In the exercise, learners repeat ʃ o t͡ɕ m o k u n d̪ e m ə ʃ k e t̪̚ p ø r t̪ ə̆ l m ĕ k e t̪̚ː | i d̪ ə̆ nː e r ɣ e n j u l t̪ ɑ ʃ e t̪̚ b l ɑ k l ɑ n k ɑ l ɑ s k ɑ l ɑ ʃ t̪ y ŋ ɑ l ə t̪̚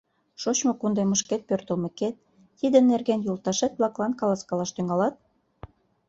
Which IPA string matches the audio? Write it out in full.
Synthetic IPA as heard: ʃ o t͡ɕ m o k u n d̪ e m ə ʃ k e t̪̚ p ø r t̪ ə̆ l m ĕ k e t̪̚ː | i d̪ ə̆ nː e r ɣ e n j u l t̪ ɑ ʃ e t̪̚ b l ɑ k l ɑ n k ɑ l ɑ s k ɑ l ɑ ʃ t̪ y ŋ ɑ l ɑ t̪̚